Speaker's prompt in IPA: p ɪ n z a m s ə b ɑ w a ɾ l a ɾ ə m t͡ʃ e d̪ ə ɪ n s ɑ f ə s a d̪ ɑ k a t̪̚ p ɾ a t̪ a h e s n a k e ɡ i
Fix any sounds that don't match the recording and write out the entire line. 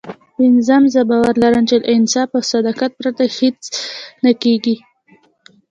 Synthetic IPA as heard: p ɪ n z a m z ə b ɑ w a ɾ l a ɾ ə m t͡ʃ e d̪ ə ɪ n s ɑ f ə s a d̪ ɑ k a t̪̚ p ɾ a t̪ a h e t͡s n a k e ɡ i